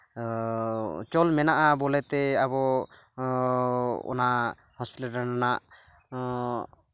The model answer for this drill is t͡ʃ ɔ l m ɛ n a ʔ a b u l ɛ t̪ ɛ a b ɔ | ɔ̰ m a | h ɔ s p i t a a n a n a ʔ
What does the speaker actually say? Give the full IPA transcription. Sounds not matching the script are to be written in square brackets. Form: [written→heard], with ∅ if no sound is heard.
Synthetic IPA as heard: t͡ʃ ɔ l m ɛ n a ʔ a b [u→ɔ] l ɛ t̪ ɛ a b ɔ | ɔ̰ [m→n] a | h ɔ s p i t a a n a n a ʔ